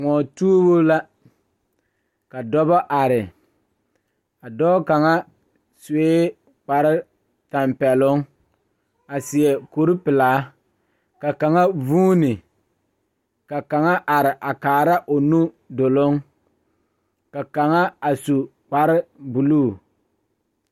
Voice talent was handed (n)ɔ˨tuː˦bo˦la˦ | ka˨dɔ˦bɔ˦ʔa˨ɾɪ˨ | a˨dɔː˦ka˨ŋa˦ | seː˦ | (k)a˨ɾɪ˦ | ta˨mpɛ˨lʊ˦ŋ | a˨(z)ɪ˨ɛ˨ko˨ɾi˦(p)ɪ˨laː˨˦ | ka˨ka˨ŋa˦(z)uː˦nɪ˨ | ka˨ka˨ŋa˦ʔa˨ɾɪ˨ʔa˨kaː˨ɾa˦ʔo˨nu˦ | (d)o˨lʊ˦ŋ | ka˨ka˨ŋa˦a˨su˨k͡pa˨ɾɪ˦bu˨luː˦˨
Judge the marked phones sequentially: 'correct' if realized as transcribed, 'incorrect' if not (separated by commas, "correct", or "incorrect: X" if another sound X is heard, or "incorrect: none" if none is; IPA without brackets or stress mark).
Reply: incorrect: ŋ, incorrect: k͡p, incorrect: s, correct, incorrect: v, correct